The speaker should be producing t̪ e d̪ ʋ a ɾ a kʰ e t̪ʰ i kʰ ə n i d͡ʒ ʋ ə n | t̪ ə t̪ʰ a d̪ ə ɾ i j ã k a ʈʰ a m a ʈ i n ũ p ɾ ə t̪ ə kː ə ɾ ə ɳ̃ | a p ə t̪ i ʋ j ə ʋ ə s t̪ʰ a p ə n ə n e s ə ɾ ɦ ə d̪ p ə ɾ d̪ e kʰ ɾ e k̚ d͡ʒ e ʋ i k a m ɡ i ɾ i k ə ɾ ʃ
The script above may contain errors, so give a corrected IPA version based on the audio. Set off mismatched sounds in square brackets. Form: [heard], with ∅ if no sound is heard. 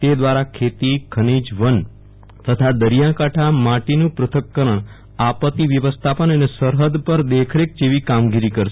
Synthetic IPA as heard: t̪ e d̪ ʋ a ɾ a kʰ e [t̪] i kʰ ə n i d͡ʒ ʋ ə n | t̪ ə t̪ʰ a d̪ ə ɾ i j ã k a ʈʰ a m a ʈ i n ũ p ɾ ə [t̪ʰ] ə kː ə ɾ ə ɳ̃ | a p ə t̪ i ʋ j ə ʋ ə s t̪ʰ a p ə n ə n e s ə ɾ ɦ ə d̪ p ə ɾ d̪ e kʰ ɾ e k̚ d͡ʒ e ʋ i k a m ɡ i ɾ i k ə ɾ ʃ

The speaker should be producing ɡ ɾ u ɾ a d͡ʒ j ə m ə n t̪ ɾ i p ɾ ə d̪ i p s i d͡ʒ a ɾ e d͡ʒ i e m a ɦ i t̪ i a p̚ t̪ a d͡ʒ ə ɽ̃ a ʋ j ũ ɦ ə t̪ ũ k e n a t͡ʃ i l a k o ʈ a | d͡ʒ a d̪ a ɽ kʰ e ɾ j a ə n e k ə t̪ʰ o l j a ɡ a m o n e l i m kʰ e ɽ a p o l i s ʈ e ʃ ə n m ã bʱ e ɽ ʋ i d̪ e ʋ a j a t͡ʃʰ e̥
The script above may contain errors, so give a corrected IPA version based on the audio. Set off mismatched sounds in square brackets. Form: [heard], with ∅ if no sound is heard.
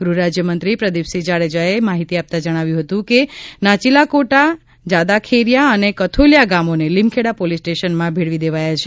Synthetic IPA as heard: ɡ ɾ u ɾ a d͡ʒ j ə m ə n t̪ ɾ i p ɾ ə d̪ i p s i d͡ʒ a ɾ e d͡ʒ [a] e m a ɦ i t̪ i a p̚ t̪ a d͡ʒ ə ɽ̃ a ʋ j ũ ɦ ə t̪ ũ k e n a t͡ʃ i l a k o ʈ a | d͡ʒ a d̪ a [∅] kʰ e ɾ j a ə n e k ə t̪ʰ o l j a ɡ a m o n e l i m kʰ e ɽ a p o l i s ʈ e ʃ ə n m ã bʱ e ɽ ʋ i d̪ e ʋ a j a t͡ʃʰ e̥

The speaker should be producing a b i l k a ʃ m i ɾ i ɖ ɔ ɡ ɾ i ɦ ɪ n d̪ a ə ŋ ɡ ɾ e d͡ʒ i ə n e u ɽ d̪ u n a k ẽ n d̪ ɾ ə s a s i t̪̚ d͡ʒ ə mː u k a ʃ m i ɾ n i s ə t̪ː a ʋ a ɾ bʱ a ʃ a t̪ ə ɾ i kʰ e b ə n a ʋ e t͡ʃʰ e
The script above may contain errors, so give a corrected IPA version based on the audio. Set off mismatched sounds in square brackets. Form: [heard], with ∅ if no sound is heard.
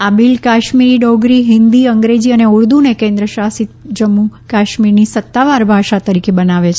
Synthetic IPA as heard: a b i l k a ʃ m i ɾ i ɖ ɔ ɡ ɾ i ɦ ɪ n d̪ [i] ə ŋ ɡ ɾ e d͡ʒ i ə n e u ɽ d̪ u n [e] k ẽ n d̪ ɾ ə [ʃ] a s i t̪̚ d͡ʒ ə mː u k a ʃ m i ɾ n i s ə t̪ː a ʋ a ɾ bʱ a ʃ a t̪ ə ɾ i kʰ e b ə n a ʋ e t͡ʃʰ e

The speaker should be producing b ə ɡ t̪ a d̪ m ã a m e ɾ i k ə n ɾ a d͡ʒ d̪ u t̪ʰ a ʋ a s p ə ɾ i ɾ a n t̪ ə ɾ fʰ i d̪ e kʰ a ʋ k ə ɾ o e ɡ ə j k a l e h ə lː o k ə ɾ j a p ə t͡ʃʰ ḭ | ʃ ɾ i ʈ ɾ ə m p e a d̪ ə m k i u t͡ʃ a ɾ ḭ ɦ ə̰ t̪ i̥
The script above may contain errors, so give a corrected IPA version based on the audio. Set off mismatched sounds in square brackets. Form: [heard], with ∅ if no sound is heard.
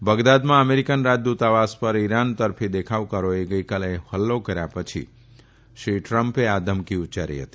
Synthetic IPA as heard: b ə ɡ [d̪] a d̪ m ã [ə] m e ɾ i k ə n ɾ a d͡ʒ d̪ u [t̪] a ʋ a s p ə ɾ i ɾ a n t̪ ə ɾ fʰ i d̪ e kʰ a ʋ k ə ɾ o e ɡ ə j k a l e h ə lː o k ə ɾ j a p ə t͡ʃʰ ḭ | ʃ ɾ i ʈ ɾ ə m p e a d̪ ə m k i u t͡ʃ a ɾ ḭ ɦ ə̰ t̪ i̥

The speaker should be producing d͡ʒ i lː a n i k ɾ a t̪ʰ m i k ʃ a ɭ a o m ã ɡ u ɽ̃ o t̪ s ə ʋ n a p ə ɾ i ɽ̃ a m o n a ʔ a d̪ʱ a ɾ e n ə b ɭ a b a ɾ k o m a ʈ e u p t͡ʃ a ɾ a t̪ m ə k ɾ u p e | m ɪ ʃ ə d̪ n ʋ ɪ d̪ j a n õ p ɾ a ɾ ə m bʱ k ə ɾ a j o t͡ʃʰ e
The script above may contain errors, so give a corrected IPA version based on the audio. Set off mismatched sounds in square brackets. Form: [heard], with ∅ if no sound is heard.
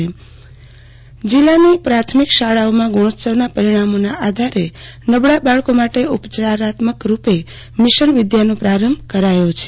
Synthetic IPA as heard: d͡ʒ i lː a n i [p] ɾ a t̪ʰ m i k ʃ a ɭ a o m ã ɡ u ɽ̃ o t̪ s ə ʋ n a p ə ɾ i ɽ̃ a m o n a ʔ a d̪ʱ a ɾ e n ə b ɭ a b a [ɭ] k o m a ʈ e u p t͡ʃ a ɾ a t̪ m ə k ɾ u p e | m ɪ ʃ ə [∅] n ʋ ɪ d̪ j a n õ p ɾ a ɾ ə m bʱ k ə ɾ a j o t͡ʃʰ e

